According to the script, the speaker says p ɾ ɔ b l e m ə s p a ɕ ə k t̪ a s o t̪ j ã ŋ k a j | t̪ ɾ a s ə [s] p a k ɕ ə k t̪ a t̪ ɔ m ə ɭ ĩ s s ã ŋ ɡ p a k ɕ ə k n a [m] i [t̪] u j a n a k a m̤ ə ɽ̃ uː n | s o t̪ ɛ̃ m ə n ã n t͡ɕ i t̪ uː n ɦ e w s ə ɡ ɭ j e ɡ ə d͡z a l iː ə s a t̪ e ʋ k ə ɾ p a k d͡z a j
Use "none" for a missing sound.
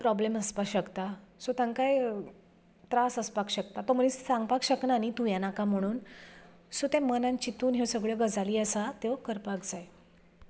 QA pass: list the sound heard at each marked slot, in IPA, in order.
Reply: s, n, t̪

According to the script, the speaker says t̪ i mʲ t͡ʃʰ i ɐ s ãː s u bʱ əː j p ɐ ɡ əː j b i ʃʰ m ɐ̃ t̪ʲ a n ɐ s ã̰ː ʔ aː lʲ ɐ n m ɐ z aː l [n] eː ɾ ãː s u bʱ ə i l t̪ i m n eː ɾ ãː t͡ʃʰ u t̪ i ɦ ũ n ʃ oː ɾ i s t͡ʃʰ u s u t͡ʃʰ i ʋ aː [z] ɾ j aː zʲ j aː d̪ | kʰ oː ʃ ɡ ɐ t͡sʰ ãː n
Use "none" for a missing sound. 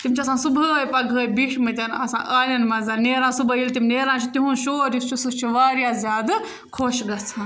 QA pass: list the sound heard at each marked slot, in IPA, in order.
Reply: n, none

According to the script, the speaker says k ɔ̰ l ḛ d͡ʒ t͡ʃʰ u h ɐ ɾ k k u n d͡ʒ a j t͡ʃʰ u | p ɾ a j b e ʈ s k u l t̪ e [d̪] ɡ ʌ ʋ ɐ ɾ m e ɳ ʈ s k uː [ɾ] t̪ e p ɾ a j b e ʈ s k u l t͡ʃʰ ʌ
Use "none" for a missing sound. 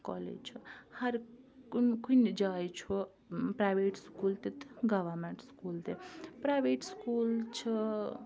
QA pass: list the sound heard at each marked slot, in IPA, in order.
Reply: t̪, l

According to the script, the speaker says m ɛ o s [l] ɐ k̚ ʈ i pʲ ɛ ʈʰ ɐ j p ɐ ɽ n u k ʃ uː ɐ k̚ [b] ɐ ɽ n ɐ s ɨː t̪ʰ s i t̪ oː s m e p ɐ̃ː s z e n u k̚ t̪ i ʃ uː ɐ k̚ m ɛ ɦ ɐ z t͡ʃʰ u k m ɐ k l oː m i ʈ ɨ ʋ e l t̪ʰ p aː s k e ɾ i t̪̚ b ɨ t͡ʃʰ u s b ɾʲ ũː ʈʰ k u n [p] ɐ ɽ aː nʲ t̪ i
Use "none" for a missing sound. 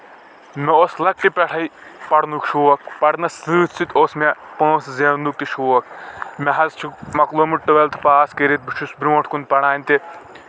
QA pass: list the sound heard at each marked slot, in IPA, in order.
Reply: l, p, p

